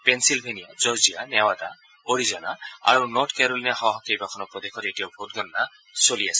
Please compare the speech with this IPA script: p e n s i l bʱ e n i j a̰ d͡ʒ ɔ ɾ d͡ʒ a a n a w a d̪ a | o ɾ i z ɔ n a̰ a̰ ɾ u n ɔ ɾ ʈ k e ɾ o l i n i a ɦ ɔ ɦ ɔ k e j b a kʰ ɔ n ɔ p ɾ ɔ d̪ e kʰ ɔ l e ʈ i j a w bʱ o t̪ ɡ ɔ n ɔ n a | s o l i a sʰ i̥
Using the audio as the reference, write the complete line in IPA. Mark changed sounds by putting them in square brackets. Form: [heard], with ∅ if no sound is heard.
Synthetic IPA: p e n s i l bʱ e n i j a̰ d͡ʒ ɔ ɾ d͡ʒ [i] a n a w a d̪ a | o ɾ i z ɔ n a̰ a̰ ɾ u n ɔ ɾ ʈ k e ɾ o l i n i a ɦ ɔ ɦ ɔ k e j b a kʰ ɔ n ɔ p ɾ ɔ d̪ e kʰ ɔ [ɾ] e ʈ i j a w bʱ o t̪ ɡ ɔ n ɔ n a | s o l i a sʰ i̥